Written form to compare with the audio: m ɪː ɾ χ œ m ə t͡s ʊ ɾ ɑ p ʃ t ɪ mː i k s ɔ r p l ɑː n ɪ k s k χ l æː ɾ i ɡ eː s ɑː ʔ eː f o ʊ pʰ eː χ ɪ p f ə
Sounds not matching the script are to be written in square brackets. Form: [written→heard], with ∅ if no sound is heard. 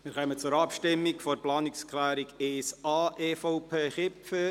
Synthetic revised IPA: m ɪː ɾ χ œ m ə t͡s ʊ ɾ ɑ p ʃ t ɪ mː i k [s→f] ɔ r p l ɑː n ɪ k s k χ l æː ɾ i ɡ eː s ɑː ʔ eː f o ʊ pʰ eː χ ɪ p f ə